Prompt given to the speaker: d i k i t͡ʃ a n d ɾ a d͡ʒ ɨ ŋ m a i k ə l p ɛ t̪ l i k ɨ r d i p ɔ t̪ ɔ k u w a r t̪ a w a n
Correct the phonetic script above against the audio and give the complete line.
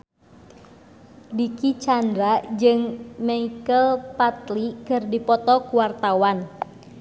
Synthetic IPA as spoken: d i k i t͡ʃ a n d ɾ a d͡ʒ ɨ ŋ m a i k ə l p a t̪ l i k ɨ r d i p ɔ t̪ ɔ k u w a r t̪ a w a n